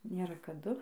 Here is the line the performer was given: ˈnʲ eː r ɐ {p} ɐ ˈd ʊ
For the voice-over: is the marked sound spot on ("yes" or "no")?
no